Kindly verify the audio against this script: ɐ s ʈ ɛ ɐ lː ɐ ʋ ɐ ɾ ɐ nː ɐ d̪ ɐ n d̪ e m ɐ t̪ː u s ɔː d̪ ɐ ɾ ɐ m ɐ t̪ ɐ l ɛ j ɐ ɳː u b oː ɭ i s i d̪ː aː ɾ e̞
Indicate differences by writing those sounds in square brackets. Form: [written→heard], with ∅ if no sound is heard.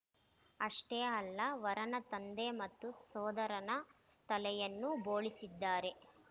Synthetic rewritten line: ɐ [s→ʂ] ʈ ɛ ɐ lː ɐ ʋ ɐ ɾ ɐ [nː→n] ɐ [d̪→t̪] ɐ n d̪ e m ɐ t̪ː u s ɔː d̪ ɐ ɾ ɐ [m→n] ɐ t̪ ɐ l ɛ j ɐ [ɳː→nː] u b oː ɭ i s i d̪ː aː ɾ e̞